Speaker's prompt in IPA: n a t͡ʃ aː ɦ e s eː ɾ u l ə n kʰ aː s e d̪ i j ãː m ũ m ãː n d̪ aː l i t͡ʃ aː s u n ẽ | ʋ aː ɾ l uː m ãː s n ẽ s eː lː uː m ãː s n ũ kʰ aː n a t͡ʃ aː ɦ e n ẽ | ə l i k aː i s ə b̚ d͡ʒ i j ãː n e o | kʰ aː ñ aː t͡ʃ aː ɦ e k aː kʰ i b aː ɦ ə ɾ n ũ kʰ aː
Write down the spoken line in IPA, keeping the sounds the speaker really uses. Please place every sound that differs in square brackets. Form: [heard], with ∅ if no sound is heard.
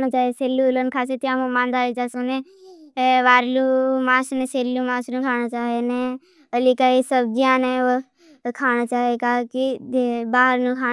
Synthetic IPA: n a t͡ʃ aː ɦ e s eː [l] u l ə n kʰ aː s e [t̪] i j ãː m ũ m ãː n d̪ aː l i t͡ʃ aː s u n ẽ | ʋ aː ɾ l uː m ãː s n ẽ s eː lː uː m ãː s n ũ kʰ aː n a t͡ʃ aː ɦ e n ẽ | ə l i k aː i s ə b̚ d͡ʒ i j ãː n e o | kʰ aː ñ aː t͡ʃ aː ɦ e k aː [k] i b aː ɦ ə ɾ n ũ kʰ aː